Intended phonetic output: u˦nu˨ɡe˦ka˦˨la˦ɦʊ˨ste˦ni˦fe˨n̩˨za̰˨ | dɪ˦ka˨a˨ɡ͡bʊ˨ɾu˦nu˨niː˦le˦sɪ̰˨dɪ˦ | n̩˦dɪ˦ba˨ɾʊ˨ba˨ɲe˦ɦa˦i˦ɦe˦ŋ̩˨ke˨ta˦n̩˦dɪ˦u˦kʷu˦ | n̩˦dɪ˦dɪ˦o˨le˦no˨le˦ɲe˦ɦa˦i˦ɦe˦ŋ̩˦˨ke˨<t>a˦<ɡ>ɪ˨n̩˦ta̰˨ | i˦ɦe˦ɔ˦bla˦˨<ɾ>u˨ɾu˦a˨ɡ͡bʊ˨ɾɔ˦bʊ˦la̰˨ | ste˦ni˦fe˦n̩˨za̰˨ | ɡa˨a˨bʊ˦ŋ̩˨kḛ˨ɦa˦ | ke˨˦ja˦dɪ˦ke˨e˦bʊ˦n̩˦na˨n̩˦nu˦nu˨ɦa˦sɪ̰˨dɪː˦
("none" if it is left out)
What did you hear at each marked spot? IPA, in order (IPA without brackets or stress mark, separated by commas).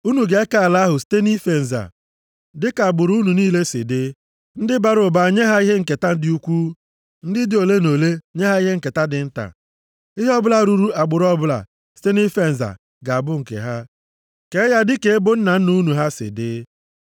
t, d, ɾ